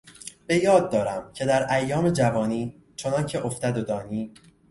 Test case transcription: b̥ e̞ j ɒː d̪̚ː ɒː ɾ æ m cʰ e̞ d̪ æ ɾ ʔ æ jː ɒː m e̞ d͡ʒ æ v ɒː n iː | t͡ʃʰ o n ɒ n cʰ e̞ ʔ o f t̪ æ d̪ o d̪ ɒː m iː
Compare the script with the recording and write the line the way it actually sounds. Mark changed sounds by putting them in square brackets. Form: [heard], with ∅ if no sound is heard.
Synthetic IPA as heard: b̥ e̞ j ɒː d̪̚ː ɒː ɾ æ m cʰ e̞ d̪ æ ɾ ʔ æ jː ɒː m e̞ d͡ʒ æ v ɒː n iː | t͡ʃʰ o n ɒ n cʰ e̞ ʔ o f t̪ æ d̪ o d̪ ɒː [n] iː